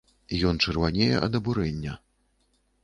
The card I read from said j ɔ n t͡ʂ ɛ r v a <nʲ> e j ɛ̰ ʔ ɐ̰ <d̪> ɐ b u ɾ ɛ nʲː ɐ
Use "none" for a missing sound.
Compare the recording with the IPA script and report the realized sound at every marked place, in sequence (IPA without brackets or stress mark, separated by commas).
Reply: nʲ, d̪